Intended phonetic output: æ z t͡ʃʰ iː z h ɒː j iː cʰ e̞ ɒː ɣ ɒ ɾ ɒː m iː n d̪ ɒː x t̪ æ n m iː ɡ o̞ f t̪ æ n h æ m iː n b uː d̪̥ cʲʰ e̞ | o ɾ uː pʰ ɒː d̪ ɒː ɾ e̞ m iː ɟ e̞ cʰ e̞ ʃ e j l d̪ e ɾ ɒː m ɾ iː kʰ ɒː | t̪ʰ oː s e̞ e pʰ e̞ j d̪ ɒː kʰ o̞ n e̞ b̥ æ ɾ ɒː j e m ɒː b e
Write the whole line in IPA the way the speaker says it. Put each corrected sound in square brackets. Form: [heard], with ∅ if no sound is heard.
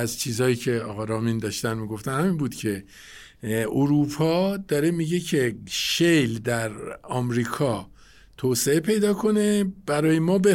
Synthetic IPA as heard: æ z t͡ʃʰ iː z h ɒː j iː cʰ e̞ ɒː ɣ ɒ ɾ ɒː m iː n d̪ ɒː [ʃ] t̪ æ n m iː ɡ o̞ f t̪ æ n h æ m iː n b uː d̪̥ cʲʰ e̞ | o ɾ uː pʰ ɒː d̪ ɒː ɾ e̞ m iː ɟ e̞ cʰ e̞ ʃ e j l d̪ [æ] ɾ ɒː m ɾ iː kʰ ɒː | t̪ʰ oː s e̞ e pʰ e̞ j d̪ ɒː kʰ o̞ n e̞ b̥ æ ɾ ɒː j e m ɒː b e